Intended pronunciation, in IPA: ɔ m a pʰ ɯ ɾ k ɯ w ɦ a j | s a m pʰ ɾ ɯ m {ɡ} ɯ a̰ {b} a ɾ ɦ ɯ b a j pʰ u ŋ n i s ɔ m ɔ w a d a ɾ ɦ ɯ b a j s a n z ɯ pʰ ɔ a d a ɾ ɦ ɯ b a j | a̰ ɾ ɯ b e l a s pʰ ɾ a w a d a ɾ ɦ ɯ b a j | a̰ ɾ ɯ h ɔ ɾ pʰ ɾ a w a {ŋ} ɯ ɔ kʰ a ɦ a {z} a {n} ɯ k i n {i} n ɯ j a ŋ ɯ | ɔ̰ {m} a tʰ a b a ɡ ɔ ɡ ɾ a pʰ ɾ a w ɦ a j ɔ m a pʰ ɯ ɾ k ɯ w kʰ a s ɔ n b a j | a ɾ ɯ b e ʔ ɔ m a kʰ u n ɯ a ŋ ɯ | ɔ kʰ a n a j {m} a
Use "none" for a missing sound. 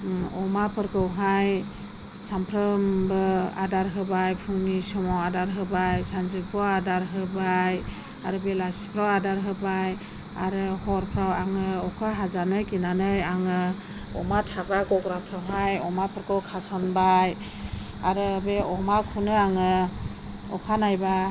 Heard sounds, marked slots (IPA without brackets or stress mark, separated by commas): b, d, ŋ, z, n, a, m, b